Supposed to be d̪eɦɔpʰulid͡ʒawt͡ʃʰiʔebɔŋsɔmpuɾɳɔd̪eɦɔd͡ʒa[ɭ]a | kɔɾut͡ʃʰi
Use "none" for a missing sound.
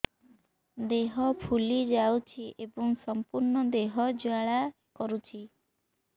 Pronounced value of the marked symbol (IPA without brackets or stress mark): ɭ